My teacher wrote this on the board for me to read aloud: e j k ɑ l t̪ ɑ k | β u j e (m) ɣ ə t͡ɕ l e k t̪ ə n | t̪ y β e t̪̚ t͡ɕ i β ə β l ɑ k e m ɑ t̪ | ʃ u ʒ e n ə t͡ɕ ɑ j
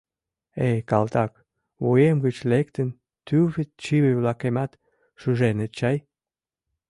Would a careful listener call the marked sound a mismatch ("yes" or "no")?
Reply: no